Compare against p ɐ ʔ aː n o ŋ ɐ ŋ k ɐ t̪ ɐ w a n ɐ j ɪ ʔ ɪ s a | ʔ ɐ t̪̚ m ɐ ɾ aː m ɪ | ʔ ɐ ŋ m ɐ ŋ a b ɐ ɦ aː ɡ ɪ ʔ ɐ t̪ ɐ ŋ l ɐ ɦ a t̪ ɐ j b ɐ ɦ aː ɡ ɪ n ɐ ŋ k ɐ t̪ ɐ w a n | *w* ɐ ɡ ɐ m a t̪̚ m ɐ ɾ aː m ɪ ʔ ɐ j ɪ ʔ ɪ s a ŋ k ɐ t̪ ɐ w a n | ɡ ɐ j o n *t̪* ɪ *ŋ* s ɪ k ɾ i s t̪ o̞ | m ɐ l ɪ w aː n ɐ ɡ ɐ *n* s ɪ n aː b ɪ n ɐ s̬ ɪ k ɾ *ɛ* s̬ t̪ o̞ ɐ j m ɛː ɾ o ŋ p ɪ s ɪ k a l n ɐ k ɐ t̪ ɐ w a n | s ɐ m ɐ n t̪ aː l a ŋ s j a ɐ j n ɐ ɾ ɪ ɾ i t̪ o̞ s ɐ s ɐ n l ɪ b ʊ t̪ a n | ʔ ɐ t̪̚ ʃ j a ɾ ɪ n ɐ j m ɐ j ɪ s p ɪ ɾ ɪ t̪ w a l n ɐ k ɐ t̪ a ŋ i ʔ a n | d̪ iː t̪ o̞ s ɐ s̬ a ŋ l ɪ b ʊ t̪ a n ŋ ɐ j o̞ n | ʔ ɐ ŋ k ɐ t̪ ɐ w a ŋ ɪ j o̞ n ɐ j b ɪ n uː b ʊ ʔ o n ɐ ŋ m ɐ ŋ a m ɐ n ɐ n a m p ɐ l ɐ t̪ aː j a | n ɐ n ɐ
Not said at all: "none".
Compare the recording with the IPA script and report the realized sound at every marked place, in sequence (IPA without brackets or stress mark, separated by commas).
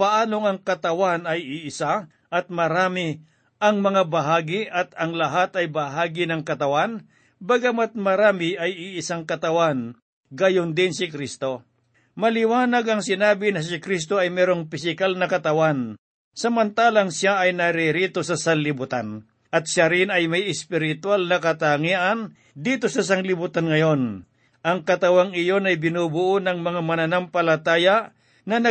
b, d̪, n, ŋ, i